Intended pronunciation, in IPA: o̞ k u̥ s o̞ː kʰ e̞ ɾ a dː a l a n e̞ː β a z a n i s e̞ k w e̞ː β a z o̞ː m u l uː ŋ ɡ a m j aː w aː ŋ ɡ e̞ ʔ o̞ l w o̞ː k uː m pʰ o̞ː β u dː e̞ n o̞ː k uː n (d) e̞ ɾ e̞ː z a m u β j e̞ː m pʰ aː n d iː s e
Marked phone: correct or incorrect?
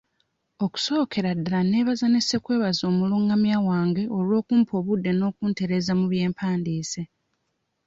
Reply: incorrect